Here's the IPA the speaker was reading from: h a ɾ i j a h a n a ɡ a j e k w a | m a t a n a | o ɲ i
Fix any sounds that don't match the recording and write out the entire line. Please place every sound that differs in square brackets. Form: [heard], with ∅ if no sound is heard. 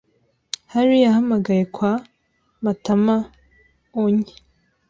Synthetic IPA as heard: h a ɾ i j a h a [m] a ɡ a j e k w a | m a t a [m] a | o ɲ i